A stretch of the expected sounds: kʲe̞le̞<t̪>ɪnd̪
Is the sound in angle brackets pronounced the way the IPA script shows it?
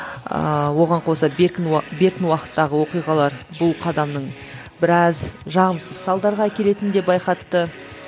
yes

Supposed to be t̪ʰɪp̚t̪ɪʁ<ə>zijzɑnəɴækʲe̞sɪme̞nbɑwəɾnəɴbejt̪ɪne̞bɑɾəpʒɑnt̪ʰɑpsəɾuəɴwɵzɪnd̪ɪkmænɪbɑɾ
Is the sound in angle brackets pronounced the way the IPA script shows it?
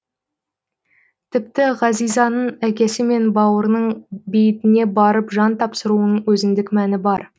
no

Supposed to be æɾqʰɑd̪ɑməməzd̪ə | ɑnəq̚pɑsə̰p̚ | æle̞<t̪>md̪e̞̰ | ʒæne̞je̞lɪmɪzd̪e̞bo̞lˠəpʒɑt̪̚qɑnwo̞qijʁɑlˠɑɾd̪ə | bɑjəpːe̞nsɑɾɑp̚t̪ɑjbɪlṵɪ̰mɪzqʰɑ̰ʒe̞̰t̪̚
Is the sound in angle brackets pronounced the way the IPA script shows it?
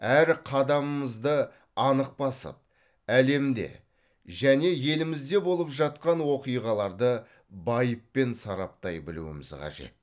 no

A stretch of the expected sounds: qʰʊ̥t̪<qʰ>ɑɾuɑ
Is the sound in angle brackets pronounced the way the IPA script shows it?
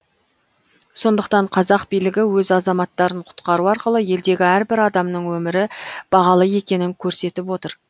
no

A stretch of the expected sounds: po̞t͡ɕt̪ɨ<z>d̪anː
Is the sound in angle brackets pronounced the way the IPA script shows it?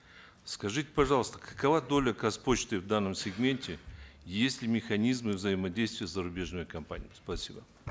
no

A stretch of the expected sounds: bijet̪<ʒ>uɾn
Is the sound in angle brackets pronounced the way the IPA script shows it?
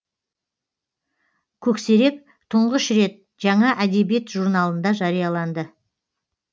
yes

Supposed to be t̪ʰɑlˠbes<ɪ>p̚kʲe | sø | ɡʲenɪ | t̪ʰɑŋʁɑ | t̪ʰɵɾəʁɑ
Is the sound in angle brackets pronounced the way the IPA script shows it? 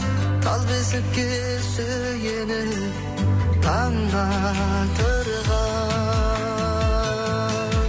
yes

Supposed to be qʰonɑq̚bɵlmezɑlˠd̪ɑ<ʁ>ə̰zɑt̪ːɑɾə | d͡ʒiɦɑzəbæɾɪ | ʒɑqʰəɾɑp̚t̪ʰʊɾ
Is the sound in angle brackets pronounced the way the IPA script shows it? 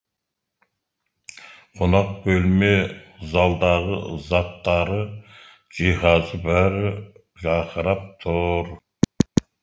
yes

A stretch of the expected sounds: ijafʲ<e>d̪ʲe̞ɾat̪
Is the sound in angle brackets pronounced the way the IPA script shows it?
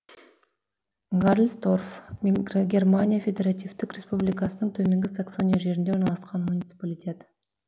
yes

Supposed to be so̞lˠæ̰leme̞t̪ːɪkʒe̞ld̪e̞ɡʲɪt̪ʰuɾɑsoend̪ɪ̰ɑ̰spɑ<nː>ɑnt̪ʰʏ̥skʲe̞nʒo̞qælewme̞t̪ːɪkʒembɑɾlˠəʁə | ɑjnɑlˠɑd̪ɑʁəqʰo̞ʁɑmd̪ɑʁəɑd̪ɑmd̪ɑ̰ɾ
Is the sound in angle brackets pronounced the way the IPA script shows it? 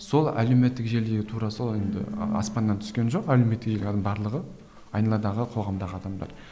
yes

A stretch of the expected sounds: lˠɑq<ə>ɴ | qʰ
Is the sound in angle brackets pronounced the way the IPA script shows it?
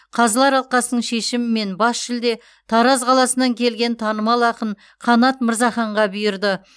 yes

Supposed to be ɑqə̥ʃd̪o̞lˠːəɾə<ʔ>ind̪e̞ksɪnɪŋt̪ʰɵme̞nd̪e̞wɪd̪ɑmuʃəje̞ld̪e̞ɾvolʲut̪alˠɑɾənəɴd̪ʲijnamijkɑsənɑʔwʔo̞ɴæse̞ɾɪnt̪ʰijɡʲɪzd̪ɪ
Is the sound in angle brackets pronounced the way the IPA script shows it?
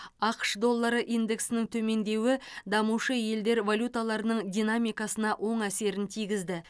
yes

